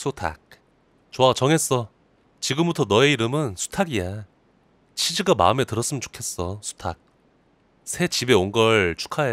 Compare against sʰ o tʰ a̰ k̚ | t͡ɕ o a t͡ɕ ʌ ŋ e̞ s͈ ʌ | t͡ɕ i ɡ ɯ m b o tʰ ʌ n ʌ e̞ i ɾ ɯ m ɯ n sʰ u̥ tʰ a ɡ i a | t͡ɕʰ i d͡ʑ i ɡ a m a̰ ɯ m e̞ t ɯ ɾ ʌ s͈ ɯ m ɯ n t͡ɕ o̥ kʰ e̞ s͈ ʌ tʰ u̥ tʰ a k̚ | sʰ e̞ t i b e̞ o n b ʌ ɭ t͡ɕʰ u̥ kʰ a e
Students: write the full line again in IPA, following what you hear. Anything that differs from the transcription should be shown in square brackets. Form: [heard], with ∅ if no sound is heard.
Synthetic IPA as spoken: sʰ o tʰ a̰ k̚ | t͡ɕ o a t͡ɕ ʌ ŋ e̞ s͈ ʌ | t͡ɕ i ɡ ɯ m b [u] tʰ ʌ n ʌ e̞ i ɾ ɯ m ɯ n sʰ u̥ tʰ a ɡ i a | t͡ɕʰ i d͡ʑ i ɡ a m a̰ ɯ m e̞ t ɯ ɾ ʌ s͈ ɯ m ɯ n t͡ɕ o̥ kʰ e̞ s͈ ʌ [sʰ] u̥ tʰ a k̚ | sʰ e̞ [t͡ɕ] i b e̞ o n [ɡ] ʌ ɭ t͡ɕʰ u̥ kʰ a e